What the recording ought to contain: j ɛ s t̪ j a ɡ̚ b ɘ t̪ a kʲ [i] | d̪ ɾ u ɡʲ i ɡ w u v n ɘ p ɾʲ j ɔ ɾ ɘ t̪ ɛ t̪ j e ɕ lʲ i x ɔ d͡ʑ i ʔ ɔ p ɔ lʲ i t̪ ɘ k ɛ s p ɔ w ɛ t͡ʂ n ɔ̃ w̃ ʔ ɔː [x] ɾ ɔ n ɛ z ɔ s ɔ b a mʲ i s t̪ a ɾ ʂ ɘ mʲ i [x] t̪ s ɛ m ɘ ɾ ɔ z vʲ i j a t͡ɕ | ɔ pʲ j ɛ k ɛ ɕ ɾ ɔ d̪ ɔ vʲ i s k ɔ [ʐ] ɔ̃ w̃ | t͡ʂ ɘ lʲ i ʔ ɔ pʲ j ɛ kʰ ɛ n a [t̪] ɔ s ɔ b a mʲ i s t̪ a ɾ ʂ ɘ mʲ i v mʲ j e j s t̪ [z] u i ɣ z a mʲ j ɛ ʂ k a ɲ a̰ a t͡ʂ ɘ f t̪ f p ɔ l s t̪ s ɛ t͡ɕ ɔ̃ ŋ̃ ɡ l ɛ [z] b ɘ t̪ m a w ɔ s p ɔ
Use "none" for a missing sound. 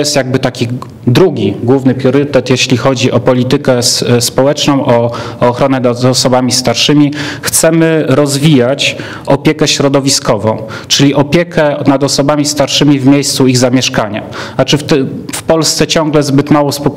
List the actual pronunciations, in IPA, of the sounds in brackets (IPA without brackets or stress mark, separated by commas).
i, x, x, v, d̪, s, z